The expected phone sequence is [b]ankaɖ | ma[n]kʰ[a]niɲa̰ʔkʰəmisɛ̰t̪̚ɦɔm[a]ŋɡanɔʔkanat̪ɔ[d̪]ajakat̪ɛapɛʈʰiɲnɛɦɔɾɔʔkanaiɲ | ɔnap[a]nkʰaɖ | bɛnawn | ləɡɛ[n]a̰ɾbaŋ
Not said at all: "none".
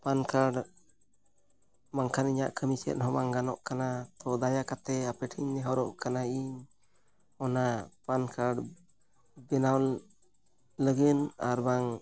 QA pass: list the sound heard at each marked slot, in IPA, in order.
p, ŋ, a, a, d̪, a, n

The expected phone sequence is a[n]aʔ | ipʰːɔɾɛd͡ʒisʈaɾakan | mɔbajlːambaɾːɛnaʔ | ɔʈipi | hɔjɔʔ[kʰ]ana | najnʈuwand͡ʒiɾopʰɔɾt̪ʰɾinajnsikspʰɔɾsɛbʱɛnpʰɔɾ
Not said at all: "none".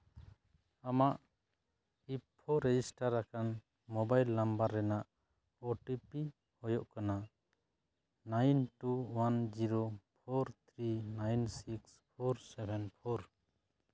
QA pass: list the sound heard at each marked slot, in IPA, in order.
m, k

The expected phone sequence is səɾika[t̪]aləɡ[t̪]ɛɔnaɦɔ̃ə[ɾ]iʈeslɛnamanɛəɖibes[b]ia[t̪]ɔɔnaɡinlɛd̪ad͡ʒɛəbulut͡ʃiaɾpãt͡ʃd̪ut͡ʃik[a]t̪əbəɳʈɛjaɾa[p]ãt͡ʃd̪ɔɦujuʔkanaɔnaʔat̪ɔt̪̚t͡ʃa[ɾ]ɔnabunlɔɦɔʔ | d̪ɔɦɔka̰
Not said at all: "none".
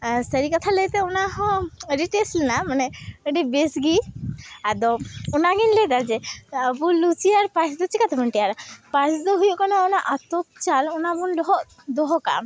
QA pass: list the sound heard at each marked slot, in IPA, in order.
t̪ʰ, t̪, ɾ, ɡ, d̪, a, p, l

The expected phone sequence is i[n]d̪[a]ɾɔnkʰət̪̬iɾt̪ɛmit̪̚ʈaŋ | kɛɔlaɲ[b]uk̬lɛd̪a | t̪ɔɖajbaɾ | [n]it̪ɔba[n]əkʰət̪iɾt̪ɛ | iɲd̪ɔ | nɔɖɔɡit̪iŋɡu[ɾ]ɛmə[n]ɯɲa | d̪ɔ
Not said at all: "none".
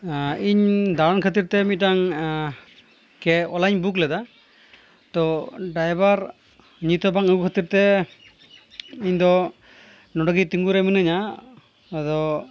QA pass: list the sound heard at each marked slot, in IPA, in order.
ɲ, a, b, ɲ, ŋ, ɾ, n

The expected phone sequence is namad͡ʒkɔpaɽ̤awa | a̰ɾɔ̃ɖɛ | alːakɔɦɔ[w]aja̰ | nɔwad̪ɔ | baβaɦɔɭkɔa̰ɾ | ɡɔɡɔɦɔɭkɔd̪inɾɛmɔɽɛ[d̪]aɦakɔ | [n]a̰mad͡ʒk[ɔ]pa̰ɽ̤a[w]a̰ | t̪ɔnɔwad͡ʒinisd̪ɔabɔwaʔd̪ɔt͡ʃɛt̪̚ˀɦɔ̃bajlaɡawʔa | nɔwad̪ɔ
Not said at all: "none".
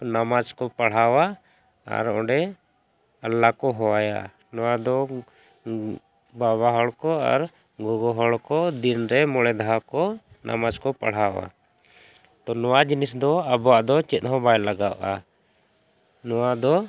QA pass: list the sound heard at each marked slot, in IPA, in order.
w, d̪, n, ɔ, w

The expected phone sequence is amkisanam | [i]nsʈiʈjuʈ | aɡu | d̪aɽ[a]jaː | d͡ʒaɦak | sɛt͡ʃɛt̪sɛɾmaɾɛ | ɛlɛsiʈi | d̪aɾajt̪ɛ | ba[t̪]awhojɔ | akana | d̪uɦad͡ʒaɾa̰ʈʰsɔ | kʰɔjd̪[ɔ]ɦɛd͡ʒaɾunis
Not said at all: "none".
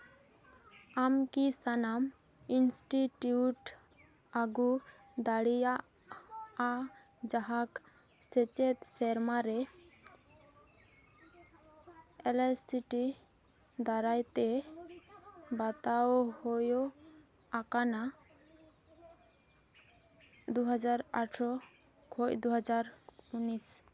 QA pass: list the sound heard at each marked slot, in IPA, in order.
i, i, t̪, u

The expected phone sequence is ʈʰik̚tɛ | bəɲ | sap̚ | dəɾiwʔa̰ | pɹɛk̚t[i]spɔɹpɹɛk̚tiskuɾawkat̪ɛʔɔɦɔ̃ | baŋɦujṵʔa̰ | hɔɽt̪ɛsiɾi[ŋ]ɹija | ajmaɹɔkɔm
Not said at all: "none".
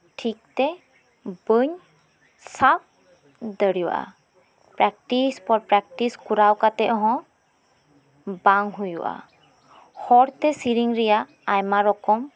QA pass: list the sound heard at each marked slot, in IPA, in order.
i, ŋ

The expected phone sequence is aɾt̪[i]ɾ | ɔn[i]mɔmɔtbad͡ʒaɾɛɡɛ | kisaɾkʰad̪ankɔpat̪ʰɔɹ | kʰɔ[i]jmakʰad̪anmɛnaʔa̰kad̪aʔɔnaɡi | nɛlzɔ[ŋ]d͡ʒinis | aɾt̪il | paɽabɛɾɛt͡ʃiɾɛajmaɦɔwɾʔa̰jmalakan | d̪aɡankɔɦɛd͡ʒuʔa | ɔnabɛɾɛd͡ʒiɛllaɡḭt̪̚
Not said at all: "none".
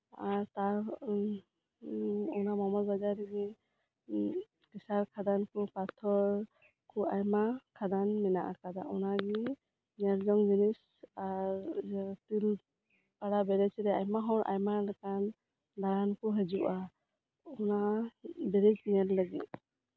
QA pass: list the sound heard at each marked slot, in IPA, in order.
a, a, a, ŋ

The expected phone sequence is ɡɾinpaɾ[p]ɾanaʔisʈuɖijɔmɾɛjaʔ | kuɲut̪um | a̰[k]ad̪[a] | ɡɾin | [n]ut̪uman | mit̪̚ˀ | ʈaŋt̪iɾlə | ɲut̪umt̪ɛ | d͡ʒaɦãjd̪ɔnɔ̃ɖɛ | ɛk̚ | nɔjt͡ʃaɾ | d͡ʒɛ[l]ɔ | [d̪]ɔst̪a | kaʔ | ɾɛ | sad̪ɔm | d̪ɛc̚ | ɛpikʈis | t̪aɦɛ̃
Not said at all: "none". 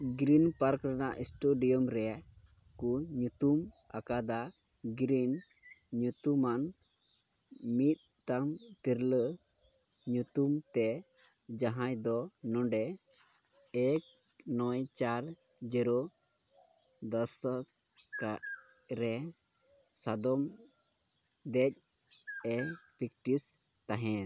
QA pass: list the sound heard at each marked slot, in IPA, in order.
k, k, a, ɲ, ɾ, d̪

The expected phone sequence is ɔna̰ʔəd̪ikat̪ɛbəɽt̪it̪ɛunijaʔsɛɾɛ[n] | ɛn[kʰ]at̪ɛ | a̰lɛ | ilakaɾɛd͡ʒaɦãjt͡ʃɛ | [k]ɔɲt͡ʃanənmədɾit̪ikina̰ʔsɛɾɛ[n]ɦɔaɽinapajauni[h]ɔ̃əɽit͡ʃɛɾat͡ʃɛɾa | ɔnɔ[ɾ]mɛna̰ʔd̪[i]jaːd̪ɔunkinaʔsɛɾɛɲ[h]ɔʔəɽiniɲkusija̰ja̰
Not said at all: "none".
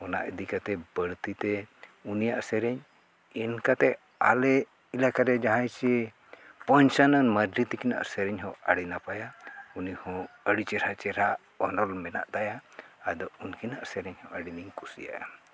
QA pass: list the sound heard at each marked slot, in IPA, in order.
ɲ, k, p, ɲ, h, l, a, h

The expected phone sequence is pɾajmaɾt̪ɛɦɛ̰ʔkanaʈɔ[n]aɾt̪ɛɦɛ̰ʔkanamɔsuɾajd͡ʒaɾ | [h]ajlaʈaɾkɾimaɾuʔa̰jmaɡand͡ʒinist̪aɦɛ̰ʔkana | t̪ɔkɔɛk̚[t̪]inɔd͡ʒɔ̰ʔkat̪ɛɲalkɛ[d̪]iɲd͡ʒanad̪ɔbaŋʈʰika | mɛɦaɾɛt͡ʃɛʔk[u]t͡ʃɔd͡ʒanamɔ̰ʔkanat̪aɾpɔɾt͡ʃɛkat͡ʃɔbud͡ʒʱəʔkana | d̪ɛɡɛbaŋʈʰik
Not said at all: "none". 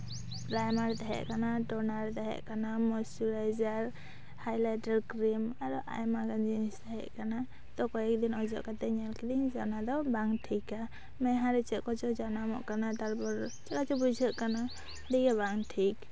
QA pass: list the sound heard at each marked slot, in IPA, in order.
n, h, d̪, d̪, ɔ

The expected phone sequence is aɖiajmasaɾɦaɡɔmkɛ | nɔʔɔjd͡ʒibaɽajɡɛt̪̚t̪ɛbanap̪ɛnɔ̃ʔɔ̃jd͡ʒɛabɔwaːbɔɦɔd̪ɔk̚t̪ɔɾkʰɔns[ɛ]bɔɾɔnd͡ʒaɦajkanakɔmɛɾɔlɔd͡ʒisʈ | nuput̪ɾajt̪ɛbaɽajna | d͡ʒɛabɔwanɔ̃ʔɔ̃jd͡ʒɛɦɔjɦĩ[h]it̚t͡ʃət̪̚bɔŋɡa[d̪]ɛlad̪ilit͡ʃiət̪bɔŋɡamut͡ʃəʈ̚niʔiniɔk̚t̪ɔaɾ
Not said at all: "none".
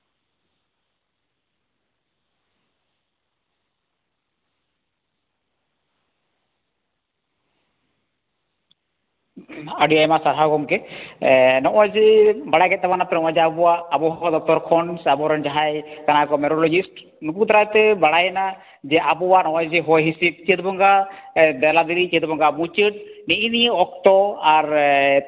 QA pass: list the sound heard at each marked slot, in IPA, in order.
a, s, d̪

